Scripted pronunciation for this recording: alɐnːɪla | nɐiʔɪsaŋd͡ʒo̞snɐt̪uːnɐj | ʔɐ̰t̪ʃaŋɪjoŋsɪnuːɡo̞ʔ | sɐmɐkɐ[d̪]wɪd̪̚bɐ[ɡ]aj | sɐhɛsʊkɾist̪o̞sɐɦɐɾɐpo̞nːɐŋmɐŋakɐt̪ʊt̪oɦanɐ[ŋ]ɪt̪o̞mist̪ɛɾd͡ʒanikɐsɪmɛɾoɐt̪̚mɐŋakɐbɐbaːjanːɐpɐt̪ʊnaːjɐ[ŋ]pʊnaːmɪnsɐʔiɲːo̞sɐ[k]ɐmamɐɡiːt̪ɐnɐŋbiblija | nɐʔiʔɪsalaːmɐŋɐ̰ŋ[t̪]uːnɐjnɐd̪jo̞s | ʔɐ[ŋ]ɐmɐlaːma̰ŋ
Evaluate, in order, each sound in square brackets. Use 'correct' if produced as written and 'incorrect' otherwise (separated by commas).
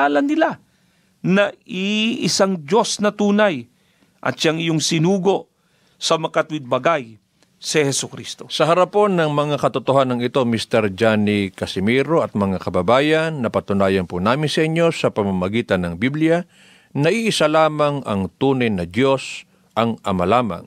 incorrect, correct, correct, incorrect, incorrect, correct, correct